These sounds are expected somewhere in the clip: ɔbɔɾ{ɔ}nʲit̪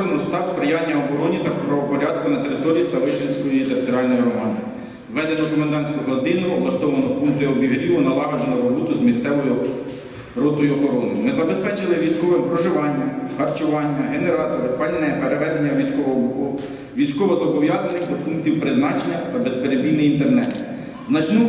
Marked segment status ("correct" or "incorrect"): correct